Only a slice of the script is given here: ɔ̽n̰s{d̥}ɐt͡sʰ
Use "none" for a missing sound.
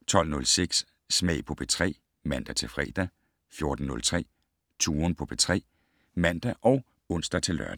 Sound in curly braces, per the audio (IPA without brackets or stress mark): d̥